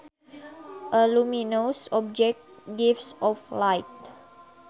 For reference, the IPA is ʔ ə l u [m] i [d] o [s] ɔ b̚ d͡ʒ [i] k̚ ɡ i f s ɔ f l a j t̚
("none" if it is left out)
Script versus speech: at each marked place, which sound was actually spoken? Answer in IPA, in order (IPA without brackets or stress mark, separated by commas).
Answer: m, n, s, ɛ